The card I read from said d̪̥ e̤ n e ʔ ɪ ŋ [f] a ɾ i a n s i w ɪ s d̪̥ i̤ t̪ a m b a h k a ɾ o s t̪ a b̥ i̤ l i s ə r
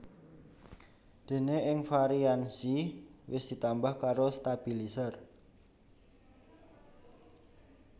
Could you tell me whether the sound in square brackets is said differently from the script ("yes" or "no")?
no